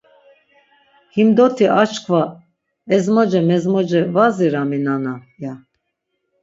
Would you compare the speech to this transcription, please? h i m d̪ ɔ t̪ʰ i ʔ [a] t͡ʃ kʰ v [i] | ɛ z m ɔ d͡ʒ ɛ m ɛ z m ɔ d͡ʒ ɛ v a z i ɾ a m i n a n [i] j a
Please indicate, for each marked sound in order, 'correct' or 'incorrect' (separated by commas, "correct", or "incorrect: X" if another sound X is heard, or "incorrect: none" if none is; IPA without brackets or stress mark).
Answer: correct, incorrect: a, incorrect: a